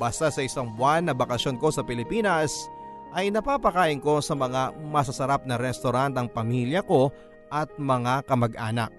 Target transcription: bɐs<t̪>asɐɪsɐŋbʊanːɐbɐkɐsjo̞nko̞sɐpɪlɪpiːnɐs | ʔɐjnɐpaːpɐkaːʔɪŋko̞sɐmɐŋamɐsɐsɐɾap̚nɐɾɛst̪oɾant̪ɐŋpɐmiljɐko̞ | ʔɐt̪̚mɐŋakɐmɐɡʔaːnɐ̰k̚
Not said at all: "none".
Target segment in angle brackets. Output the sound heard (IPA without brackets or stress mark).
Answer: t̪